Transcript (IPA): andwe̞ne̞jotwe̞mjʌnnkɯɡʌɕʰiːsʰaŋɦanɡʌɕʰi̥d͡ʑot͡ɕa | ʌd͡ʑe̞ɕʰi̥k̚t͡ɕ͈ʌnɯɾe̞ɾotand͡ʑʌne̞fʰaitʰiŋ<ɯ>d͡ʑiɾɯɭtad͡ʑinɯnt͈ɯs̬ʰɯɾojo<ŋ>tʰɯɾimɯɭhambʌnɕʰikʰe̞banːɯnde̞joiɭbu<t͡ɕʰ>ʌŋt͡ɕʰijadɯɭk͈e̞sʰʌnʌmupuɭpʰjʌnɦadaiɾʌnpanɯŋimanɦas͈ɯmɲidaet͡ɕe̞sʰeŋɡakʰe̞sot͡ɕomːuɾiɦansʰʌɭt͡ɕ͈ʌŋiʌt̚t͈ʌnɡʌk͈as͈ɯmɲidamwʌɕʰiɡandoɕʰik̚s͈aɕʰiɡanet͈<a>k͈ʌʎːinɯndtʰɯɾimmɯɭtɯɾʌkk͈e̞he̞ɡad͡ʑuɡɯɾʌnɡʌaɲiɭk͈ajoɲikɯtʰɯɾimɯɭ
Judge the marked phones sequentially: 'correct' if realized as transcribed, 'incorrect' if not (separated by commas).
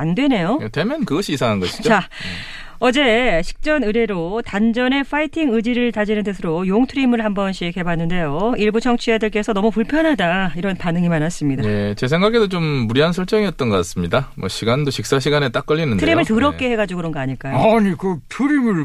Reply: correct, correct, correct, correct